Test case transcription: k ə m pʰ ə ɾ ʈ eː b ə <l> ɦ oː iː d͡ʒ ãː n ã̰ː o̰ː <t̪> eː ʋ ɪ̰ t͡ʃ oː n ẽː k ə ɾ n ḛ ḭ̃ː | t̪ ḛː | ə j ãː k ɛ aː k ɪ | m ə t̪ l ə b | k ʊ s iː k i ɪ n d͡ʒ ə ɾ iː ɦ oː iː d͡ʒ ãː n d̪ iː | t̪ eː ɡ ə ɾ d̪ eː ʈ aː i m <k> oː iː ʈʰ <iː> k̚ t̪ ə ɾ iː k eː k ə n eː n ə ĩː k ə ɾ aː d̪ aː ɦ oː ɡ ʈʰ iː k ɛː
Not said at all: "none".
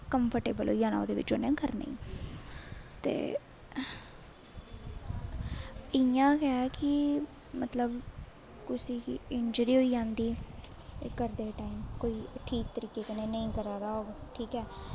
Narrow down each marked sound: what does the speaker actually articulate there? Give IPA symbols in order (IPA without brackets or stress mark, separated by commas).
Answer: l, d̪, k, iː